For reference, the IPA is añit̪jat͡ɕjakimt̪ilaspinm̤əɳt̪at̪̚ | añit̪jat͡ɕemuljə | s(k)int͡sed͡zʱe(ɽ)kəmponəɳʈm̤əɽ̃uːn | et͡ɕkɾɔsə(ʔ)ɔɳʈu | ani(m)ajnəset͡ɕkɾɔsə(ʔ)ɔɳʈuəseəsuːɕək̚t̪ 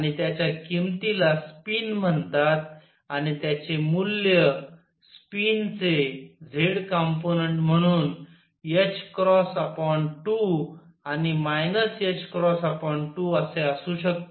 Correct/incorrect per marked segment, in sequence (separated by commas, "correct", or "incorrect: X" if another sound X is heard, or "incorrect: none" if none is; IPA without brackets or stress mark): incorrect: p, correct, incorrect: p, correct, incorrect: p